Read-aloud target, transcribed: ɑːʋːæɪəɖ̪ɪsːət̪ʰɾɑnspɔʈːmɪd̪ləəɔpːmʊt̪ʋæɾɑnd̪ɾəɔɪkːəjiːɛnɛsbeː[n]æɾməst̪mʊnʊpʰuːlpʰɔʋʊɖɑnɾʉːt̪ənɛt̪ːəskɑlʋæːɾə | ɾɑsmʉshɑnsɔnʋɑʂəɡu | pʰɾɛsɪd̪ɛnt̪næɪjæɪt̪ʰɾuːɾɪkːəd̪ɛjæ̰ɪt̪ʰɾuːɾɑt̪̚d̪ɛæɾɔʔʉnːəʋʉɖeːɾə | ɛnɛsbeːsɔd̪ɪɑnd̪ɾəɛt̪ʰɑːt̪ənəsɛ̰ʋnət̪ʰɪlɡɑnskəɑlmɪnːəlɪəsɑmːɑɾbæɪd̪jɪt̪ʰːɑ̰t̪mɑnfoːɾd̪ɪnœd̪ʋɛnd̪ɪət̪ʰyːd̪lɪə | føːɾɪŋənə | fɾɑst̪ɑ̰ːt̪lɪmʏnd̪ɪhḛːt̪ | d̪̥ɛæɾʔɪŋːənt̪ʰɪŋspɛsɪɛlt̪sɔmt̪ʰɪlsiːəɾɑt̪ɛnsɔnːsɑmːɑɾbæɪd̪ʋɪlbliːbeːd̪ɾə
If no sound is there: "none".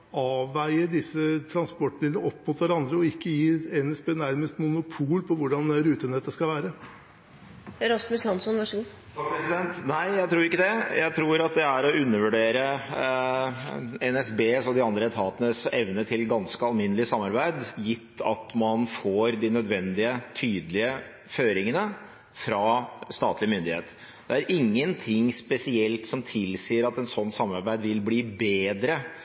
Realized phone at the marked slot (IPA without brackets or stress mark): n